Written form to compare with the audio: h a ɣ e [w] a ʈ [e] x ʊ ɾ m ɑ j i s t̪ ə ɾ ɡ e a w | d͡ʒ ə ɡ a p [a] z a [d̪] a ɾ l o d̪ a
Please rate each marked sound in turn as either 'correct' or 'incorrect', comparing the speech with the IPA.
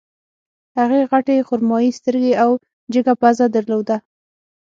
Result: incorrect, correct, correct, correct

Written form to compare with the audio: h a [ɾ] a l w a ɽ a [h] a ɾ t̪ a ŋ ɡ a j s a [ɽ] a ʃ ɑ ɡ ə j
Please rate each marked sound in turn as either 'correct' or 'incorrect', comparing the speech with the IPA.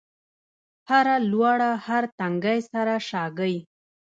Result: correct, correct, incorrect

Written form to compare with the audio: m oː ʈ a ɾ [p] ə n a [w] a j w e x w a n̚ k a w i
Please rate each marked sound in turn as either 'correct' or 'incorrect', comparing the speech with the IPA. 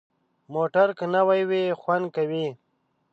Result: incorrect, correct

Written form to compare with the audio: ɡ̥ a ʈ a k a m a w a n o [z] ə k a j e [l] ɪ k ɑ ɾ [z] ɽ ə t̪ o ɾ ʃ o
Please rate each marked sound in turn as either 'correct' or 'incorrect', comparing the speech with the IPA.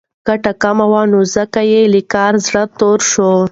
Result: correct, correct, correct

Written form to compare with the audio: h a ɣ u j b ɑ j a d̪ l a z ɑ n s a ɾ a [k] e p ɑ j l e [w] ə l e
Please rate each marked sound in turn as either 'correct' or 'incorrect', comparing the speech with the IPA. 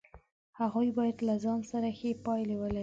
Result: incorrect, correct

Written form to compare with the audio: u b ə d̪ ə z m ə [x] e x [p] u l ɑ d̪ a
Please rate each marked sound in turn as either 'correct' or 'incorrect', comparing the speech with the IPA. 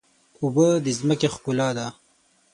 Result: incorrect, incorrect

